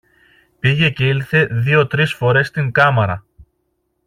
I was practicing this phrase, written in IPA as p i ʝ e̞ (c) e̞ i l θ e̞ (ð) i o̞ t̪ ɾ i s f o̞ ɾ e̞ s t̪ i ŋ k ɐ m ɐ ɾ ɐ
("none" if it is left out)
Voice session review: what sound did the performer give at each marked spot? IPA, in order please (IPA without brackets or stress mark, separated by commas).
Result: c, ð